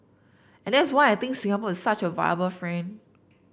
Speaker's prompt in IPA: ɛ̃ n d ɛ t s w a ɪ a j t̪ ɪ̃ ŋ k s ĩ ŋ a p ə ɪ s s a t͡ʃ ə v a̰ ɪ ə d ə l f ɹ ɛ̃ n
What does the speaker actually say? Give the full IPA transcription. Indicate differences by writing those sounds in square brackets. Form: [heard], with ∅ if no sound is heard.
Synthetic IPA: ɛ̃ n d ɛ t s w a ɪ a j t̪ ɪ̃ ŋ k s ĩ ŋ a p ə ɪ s s a t͡ʃ ə v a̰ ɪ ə [b] ə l f ɹ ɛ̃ n